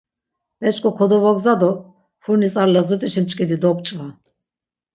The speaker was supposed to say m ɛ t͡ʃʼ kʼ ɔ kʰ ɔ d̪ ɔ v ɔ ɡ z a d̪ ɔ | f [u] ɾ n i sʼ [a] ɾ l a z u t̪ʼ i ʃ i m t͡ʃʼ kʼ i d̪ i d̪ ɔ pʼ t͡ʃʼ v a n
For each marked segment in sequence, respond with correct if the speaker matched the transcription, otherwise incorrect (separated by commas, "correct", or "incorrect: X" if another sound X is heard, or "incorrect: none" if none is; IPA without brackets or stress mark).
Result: correct, correct